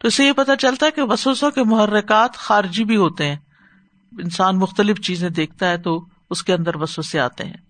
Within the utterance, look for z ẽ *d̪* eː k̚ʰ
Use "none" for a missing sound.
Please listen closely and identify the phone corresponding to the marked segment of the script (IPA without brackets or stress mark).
d̪